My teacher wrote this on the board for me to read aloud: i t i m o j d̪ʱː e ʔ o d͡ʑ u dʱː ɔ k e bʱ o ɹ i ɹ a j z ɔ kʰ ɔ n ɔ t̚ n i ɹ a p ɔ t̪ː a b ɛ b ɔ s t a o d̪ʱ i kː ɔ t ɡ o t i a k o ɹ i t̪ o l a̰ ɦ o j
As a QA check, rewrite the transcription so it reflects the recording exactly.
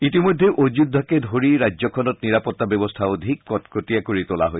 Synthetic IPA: i t i m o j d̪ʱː e ʔ o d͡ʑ u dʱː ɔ k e dʱ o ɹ i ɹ a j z ɔ kʰ ɔ n ɔ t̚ n i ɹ a p ɔ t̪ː a b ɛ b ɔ s tʰ a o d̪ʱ i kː ɔ t k o t i a k o ɹ i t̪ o l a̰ ɦ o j